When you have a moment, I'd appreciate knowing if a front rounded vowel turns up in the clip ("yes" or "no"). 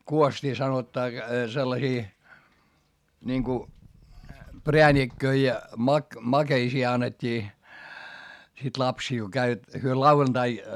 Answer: yes